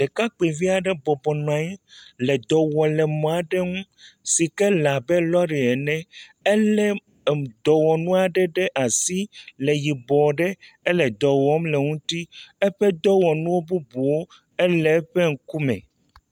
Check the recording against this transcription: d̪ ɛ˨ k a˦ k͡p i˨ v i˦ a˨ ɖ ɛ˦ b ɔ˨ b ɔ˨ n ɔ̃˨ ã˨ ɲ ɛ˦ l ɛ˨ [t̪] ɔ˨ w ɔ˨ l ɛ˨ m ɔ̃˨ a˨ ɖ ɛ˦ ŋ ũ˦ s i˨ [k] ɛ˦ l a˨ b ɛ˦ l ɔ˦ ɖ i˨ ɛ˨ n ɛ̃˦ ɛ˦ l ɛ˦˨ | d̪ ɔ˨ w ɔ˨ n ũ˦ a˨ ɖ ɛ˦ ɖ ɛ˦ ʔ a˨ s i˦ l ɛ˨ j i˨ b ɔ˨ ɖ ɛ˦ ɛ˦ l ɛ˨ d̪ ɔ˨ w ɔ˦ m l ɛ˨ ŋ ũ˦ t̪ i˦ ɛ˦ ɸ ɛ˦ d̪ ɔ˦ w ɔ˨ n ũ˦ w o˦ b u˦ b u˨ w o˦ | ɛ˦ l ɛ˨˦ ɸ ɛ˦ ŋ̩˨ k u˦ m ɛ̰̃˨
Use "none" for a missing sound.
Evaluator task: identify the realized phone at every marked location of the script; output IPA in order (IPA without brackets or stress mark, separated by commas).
d̪, k